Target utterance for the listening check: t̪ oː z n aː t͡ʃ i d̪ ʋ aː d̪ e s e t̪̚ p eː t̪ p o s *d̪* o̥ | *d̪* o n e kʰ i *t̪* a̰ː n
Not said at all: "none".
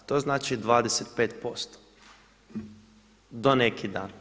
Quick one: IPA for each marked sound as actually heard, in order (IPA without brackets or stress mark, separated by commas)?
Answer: t̪, d̪, d̪